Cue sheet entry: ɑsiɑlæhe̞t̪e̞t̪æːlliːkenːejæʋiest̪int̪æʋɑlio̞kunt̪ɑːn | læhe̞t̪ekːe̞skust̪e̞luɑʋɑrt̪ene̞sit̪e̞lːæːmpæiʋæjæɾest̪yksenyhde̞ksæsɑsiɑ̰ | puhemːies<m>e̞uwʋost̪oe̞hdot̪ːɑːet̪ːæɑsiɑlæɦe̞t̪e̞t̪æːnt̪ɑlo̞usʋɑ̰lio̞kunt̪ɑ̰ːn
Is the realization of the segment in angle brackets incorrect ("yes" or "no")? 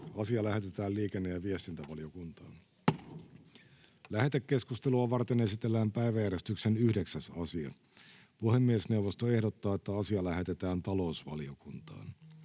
yes